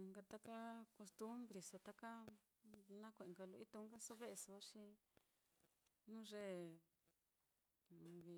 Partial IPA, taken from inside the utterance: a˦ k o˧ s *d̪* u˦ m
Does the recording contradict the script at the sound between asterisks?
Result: yes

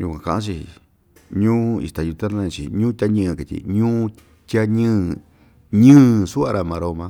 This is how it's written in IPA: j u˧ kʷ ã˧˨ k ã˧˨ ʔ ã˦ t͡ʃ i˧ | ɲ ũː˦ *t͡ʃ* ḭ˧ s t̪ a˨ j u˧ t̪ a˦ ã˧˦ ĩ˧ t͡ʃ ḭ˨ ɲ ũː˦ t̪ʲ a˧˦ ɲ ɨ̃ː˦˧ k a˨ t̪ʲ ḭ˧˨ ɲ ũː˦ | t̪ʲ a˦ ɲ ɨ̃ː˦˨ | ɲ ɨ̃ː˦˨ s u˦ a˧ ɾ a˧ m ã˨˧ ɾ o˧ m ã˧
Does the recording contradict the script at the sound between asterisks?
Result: yes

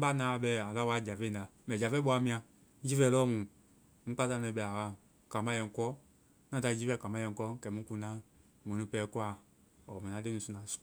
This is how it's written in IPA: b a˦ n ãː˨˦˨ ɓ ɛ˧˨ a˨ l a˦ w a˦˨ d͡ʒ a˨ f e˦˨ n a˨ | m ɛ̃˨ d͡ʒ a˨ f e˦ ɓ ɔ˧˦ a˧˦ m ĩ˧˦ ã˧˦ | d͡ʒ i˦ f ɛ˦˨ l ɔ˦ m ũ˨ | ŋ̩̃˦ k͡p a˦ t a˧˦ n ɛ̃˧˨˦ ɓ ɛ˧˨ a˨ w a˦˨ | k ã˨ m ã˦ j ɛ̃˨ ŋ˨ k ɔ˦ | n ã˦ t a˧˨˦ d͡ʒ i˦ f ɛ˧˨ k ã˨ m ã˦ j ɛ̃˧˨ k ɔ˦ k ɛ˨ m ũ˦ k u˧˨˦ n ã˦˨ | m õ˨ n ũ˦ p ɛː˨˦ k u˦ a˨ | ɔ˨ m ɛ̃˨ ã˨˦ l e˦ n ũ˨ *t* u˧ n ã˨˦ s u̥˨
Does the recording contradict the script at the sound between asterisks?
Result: yes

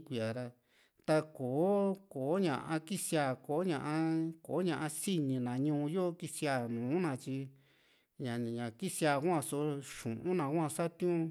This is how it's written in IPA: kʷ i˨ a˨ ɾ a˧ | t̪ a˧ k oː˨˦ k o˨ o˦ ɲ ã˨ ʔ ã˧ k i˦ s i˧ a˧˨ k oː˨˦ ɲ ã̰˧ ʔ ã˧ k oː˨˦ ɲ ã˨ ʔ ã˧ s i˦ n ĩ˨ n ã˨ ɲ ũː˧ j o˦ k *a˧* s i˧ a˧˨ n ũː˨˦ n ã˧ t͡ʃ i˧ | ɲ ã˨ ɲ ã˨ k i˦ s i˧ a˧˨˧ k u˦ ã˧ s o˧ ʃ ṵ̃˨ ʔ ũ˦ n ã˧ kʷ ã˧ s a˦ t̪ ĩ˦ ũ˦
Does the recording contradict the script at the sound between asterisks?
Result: yes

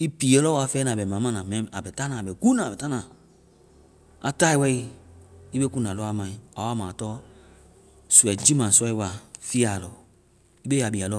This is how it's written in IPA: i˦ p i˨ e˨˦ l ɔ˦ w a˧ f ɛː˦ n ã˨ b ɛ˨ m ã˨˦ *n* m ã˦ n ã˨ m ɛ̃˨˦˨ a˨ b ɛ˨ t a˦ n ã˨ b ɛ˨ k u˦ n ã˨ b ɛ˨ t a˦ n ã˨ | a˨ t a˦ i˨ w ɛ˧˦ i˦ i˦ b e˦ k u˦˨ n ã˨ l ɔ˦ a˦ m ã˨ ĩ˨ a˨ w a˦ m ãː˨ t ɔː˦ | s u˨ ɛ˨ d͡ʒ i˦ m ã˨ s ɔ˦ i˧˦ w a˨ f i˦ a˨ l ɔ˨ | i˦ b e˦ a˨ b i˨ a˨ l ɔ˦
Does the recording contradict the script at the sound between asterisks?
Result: yes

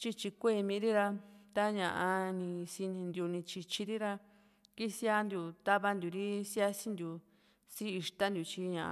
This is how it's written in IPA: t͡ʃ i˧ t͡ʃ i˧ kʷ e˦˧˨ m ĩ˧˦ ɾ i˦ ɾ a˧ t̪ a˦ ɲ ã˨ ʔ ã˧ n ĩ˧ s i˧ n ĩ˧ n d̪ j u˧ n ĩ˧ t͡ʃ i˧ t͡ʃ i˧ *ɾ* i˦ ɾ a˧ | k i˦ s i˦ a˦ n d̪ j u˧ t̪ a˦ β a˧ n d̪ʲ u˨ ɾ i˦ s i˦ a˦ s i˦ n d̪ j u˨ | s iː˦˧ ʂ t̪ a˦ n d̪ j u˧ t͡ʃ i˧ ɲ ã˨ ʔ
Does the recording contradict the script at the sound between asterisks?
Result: no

